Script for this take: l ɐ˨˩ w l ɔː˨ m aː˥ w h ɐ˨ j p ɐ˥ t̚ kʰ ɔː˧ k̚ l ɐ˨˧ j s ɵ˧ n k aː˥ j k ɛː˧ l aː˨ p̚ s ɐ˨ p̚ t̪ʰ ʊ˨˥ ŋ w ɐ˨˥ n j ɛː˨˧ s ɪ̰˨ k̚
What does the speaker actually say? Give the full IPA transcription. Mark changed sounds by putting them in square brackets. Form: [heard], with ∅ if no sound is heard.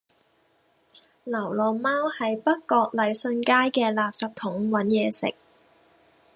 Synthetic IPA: l ɐ˨˩ w l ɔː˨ m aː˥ w h ɐ˨ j p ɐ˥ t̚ [k] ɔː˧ k̚ l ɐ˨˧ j s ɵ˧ n k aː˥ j k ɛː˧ l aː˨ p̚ s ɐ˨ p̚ t̪ʰ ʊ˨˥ ŋ w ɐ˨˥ n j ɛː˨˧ s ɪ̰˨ k̚